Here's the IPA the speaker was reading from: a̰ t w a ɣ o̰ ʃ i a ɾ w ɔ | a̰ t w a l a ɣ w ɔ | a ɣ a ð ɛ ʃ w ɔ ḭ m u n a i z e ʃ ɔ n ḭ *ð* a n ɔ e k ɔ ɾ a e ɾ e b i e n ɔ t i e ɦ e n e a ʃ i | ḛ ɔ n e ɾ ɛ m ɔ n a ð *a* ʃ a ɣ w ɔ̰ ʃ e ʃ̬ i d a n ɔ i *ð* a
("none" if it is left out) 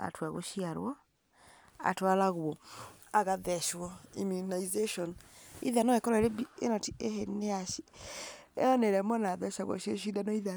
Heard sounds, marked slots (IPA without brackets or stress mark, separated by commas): ð, ɛ, ð